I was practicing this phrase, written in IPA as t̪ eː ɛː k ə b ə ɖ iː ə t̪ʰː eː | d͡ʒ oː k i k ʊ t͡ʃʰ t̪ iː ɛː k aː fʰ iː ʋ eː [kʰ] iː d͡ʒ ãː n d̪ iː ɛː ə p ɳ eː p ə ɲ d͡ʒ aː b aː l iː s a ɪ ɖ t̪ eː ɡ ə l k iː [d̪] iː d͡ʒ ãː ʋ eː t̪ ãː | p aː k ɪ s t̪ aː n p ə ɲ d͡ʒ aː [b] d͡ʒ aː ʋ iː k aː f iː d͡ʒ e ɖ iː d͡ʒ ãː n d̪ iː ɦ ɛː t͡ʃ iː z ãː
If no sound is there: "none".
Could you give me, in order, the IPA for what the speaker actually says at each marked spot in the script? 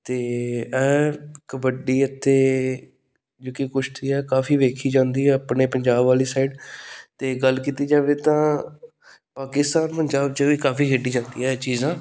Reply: kʰ, t̪, b

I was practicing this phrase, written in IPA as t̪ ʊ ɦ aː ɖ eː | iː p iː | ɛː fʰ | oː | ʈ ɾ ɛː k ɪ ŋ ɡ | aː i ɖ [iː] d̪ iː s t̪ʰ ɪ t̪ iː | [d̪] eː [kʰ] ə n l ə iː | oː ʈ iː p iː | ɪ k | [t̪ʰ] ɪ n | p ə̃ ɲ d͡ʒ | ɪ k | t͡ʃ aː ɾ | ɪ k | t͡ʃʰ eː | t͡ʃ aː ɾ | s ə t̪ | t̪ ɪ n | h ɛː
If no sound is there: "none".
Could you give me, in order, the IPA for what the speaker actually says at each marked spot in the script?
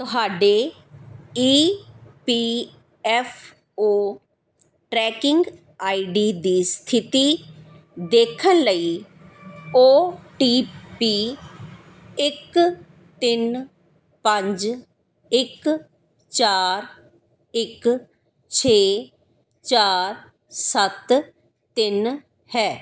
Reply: iː, d̪, kʰ, t̪

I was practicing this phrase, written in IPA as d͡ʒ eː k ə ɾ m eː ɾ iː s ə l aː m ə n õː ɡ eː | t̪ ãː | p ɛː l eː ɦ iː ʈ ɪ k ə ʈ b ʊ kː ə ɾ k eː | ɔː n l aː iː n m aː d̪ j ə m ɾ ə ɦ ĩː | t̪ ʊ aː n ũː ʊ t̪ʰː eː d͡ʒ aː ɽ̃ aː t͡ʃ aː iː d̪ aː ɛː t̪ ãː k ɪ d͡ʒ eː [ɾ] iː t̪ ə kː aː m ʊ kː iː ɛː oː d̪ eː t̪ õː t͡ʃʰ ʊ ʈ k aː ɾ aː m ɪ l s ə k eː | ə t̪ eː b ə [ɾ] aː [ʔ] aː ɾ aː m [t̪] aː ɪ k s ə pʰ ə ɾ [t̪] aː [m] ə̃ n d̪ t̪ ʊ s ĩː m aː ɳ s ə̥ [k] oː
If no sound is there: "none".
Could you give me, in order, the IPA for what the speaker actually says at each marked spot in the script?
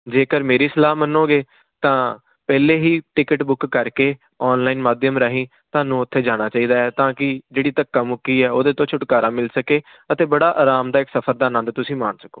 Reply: ɽ, ɽ, ʔ, d̪, d̪, n, k

